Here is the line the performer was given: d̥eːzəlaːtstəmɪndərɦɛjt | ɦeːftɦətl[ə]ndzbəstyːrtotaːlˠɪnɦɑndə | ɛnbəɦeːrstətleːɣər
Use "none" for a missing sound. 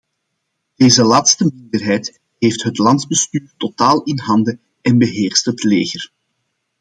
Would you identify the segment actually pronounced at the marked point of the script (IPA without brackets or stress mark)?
ɑ